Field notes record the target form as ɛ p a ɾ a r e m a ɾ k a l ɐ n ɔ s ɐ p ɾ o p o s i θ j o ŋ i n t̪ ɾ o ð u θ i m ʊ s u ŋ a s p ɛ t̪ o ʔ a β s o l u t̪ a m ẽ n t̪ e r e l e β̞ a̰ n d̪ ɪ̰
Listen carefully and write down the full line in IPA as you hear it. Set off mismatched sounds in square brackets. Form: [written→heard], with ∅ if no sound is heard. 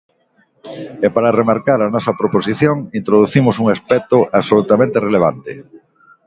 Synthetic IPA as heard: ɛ p a ɾ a r e m a ɾ k a [l→ɾ] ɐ n ɔ s ɐ p ɾ o p o s i θ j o ŋ i n t̪ ɾ o ð u θ i m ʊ s u ŋ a s p ɛ t̪ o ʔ a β s o l u t̪ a m ẽ n t̪ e r e l e β̞ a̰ n [d̪→t̪] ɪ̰